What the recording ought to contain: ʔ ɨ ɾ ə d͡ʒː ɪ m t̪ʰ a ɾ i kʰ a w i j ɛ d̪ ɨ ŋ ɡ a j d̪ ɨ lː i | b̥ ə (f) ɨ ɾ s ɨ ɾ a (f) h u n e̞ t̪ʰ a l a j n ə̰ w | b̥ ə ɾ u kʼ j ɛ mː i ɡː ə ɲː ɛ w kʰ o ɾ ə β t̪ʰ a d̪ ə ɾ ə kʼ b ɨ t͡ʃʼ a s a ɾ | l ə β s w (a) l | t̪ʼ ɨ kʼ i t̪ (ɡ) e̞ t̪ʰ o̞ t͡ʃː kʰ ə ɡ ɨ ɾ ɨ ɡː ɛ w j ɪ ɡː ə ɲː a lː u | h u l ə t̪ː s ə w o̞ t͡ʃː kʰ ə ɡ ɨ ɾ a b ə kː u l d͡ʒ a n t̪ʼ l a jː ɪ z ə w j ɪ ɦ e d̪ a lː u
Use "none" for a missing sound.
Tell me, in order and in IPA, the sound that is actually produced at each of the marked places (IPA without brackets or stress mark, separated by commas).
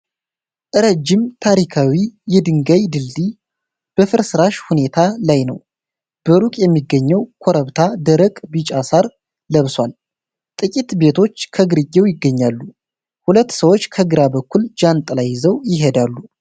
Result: f, ʃ, a, b